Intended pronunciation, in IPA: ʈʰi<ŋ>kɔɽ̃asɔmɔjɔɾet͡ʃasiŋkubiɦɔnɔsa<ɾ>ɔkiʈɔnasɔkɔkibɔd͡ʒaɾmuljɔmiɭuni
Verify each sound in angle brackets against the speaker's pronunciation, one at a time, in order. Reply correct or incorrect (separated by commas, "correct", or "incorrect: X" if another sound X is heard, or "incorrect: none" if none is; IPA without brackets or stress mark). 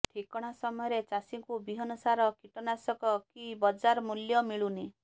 incorrect: none, correct